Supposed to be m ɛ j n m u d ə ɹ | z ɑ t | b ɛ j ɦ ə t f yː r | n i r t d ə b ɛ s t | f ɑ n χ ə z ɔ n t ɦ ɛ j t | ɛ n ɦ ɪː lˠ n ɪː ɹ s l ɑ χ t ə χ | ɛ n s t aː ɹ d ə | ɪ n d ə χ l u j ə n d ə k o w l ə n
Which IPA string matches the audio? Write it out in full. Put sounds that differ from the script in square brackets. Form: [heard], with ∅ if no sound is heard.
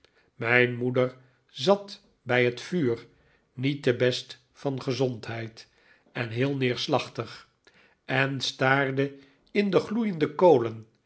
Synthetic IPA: m ɛ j n m u d ə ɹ | z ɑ t | b ɛ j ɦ ə t f yː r | n i [∅] t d ə b ɛ s t | f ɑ n χ ə z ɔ n t ɦ ɛ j t | ɛ n ɦ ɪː lˠ n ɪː ɹ s l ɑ χ t ə χ | ɛ n s t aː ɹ d ə | ɪ n d ə χ l u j ə n d ə k o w l ə n